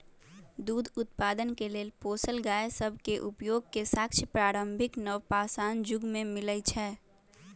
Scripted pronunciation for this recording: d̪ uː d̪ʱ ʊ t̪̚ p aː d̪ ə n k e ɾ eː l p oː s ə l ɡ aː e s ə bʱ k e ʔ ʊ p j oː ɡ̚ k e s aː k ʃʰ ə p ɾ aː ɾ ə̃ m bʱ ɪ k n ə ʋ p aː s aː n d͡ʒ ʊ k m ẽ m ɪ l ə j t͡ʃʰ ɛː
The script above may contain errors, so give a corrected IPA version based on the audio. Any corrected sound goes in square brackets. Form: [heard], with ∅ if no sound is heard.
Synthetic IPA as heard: d̪ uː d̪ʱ ʊ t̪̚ p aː d̪ ə n k e [l] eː l p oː s ə l ɡ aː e s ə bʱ k e ʔ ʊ p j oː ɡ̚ k e s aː k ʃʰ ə p ɾ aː ɾ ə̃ m bʱ ɪ k n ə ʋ p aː s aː n d͡ʒ ʊ [ɡ] m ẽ m ɪ l ə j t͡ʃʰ ɛː